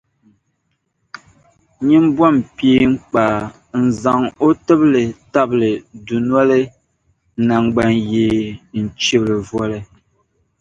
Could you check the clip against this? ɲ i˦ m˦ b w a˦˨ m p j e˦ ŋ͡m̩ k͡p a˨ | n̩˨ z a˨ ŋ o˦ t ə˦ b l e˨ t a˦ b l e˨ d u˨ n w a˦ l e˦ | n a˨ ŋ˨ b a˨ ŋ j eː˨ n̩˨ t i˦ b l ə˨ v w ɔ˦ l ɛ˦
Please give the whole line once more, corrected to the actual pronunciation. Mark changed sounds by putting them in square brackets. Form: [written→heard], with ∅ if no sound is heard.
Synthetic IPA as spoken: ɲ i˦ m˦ b w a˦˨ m p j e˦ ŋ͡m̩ k͡p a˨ | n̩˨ z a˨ ŋ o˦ t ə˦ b l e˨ t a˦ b l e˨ d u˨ n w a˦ l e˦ | n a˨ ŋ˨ [b→ɡ͡b] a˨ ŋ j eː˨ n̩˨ [t→t͡ʃ] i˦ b l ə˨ v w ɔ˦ l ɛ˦